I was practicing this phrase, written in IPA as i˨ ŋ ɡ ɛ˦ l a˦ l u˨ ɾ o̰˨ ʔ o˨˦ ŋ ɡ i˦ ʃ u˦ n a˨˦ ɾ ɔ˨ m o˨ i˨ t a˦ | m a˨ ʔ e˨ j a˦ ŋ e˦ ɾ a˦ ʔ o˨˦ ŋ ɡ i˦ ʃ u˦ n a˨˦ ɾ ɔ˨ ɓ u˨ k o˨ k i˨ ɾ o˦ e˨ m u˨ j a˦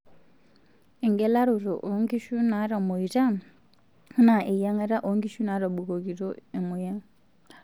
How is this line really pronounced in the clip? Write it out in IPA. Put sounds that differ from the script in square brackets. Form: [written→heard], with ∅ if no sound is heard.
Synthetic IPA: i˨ ŋ ɡ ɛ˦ l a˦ [l→ɾ] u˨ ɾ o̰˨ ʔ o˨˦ ŋ ɡ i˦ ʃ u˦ n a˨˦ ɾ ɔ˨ m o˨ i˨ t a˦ | [m→n] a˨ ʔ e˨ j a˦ ŋ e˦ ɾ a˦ ʔ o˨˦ ŋ ɡ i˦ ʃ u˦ n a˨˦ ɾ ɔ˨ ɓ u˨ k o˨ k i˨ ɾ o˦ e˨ m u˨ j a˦